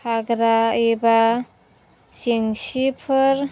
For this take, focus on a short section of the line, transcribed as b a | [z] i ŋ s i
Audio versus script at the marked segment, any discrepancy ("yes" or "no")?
yes